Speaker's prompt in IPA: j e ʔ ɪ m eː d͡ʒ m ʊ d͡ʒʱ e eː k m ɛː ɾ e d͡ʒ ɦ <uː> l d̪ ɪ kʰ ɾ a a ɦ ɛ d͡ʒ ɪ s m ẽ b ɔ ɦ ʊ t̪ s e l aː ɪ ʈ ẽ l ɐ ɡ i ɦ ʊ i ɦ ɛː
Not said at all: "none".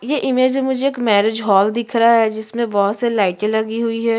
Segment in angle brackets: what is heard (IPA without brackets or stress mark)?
ɔː